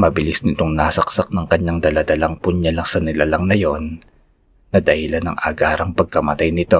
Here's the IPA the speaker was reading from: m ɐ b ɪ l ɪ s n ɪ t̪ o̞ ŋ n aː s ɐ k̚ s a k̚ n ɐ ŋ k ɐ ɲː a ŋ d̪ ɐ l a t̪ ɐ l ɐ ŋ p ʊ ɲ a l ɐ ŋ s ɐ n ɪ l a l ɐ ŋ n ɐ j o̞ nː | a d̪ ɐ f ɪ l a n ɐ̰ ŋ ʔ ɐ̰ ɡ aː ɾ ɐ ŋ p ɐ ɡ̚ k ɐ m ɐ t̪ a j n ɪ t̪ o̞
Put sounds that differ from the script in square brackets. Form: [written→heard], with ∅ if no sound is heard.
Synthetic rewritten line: m ɐ b ɪ l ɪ s n ɪ t̪ o̞ ŋ n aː s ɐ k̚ s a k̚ n ɐ ŋ k ɐ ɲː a ŋ d̪ ɐ l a [t̪→d̪] ɐ l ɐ ŋ p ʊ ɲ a l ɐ ŋ s ɐ n ɪ l a l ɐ ŋ n ɐ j o̞ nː | [a→ɐ] d̪ ɐ [f→h] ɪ l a n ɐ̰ ŋ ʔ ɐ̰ ɡ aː ɾ ɐ ŋ p ɐ ɡ̚ k ɐ m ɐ t̪ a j n ɪ t̪ o̞